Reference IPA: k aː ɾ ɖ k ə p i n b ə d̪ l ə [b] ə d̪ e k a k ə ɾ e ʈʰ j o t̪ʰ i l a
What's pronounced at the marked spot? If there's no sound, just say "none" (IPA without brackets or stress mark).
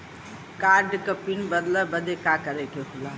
b